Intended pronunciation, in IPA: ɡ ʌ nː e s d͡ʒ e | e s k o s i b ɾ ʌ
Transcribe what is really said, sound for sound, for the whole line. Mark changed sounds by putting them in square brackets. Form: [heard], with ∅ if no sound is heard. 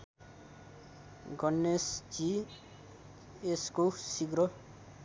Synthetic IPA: ɡ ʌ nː e s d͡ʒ [i] | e s k o s i [ɡ] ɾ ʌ